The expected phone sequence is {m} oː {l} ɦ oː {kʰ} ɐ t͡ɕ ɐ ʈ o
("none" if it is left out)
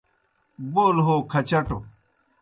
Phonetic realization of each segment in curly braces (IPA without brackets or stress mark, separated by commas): b, l, kʰ